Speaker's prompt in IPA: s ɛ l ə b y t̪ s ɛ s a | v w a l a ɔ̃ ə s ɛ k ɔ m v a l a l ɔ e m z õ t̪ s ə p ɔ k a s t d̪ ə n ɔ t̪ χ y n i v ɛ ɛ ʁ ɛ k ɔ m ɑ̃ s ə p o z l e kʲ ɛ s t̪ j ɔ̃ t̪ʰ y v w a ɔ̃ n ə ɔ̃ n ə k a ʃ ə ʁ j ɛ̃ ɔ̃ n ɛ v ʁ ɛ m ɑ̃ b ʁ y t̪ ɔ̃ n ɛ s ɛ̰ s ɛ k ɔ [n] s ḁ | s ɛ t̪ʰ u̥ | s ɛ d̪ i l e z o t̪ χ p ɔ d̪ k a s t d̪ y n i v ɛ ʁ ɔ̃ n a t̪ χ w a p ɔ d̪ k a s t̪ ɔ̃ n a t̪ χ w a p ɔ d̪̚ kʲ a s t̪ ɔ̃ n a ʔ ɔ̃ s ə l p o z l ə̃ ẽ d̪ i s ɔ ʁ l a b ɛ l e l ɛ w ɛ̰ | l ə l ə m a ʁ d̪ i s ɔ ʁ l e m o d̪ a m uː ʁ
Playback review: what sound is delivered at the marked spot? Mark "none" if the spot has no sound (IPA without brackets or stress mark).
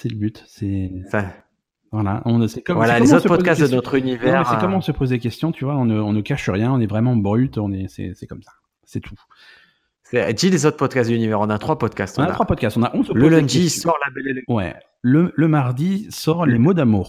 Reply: m